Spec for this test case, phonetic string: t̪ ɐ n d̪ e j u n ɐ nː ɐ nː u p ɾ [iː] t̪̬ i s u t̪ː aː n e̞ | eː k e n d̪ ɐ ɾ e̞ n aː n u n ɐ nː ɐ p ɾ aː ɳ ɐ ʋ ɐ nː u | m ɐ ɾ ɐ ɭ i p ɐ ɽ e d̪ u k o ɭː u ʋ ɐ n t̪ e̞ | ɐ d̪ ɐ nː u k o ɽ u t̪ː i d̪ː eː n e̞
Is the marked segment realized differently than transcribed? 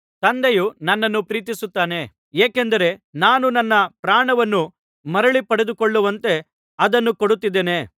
no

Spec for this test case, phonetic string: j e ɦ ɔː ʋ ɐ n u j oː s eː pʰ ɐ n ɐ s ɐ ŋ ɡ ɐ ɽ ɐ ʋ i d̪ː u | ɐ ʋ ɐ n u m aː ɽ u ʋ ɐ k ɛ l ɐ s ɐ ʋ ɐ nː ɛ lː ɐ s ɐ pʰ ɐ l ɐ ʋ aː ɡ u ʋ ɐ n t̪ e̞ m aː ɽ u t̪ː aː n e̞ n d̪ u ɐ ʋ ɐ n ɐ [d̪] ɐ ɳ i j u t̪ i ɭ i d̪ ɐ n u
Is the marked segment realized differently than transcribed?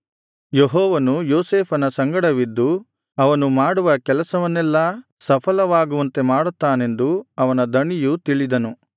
no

